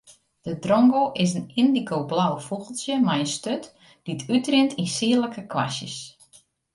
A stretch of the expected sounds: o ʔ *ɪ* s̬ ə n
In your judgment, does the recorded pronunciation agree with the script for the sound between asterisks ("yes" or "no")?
yes